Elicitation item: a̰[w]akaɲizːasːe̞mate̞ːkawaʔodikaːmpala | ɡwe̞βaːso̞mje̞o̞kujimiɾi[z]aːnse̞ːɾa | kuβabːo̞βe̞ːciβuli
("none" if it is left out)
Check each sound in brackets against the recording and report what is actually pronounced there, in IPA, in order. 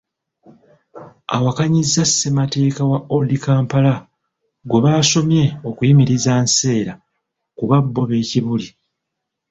w, z

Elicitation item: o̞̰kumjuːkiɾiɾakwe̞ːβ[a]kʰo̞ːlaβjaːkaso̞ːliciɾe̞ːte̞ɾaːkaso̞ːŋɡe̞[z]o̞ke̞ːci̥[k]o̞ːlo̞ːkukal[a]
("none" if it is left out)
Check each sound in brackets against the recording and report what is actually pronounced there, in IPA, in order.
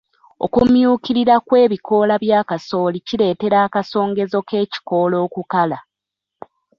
i, z, k, a

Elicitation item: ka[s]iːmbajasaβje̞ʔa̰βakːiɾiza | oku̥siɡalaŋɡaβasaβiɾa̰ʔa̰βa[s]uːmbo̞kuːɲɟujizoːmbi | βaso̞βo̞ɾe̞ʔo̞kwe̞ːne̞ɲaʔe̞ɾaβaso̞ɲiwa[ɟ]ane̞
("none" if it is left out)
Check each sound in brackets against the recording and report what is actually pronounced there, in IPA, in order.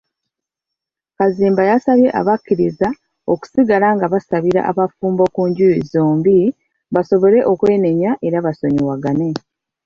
z, f, ɡ

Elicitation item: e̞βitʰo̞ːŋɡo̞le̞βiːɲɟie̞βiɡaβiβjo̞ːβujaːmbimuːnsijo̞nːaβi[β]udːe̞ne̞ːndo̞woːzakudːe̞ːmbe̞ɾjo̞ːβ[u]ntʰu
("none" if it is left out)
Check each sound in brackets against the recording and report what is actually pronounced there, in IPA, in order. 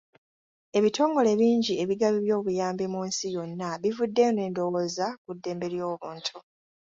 v, uː

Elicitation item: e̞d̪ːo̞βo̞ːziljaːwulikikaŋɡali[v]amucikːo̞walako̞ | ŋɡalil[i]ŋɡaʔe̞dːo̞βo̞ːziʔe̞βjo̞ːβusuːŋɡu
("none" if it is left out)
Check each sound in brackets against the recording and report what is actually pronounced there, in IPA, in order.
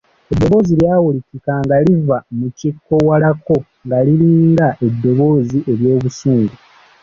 v, iː

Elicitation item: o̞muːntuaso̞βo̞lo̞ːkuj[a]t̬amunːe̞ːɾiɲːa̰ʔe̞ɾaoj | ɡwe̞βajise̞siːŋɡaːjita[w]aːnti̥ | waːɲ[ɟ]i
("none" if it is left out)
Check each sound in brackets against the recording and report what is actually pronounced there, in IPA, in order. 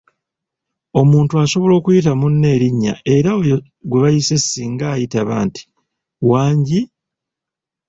i, β, ɟ

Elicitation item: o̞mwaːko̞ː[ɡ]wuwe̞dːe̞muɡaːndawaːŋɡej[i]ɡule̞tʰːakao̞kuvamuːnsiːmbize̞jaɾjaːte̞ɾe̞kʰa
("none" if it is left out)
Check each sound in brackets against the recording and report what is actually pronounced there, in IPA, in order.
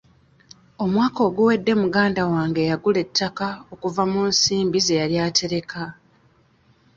ɡ, a

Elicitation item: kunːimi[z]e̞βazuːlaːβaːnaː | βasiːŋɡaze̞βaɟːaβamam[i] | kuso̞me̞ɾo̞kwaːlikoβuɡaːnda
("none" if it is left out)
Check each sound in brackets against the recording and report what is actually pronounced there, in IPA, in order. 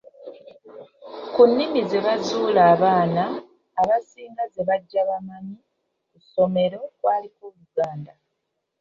z, i

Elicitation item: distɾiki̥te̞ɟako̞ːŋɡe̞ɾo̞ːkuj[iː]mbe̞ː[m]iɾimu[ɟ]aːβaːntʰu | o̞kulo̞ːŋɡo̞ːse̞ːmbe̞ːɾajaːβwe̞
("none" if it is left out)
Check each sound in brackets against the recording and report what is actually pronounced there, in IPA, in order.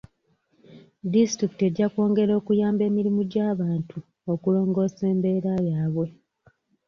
aː, m, ɟ

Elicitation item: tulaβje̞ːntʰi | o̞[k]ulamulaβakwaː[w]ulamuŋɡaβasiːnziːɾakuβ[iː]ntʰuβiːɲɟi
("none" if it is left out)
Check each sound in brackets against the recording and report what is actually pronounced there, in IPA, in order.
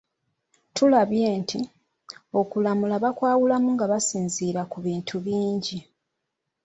k, w, iː

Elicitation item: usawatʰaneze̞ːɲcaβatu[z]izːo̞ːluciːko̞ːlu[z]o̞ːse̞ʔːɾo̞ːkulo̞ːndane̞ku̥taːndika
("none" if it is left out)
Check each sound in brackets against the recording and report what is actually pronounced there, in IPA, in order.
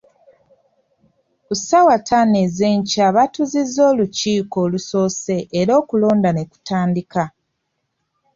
z, s

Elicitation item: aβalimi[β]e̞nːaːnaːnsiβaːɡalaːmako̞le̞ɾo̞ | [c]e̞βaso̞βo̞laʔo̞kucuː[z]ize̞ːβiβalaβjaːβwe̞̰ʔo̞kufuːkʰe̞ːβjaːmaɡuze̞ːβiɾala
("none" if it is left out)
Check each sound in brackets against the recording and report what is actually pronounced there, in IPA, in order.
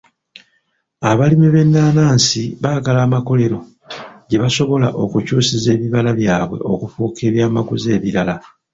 β, ɟ, s

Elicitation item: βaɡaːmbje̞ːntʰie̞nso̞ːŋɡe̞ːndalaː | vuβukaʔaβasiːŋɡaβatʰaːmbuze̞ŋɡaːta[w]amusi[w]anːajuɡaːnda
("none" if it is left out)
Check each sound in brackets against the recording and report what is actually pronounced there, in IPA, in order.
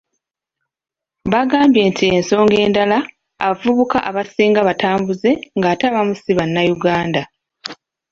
β, β

